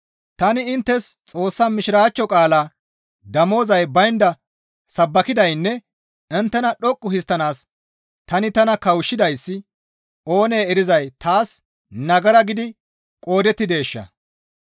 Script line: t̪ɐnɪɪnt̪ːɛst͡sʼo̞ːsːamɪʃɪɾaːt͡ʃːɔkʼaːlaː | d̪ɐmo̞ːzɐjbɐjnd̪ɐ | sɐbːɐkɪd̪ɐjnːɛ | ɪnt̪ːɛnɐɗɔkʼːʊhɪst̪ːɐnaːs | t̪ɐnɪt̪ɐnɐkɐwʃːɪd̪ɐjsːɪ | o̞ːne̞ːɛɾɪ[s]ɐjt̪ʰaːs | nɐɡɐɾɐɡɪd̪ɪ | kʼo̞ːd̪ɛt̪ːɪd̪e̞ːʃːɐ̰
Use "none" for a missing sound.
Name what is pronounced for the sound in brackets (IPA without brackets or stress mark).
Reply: z